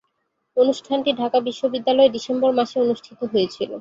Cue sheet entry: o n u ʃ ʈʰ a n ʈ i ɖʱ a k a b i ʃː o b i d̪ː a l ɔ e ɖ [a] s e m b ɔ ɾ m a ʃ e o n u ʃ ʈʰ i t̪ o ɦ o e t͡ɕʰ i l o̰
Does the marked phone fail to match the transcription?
yes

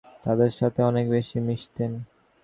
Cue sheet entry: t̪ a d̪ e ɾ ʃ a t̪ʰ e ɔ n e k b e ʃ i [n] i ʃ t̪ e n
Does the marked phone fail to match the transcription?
yes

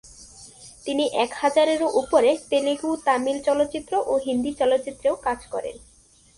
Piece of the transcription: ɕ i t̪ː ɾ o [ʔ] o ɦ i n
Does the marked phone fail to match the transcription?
no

